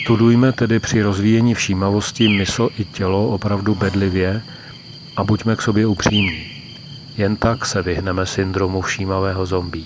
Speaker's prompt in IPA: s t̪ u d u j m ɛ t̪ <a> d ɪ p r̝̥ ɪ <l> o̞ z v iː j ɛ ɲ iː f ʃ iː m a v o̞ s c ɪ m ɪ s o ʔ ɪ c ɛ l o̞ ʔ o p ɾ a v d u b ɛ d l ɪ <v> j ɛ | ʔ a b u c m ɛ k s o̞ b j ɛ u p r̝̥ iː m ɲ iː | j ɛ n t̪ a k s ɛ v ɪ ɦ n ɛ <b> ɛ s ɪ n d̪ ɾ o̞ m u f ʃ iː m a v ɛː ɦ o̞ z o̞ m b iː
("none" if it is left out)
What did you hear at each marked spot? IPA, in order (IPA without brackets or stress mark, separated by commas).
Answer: ɛ, ɾ, v, m